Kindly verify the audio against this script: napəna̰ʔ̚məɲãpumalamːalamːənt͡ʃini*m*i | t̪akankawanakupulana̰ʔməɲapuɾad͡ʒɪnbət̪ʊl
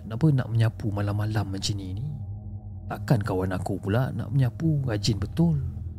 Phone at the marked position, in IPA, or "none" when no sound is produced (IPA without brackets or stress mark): n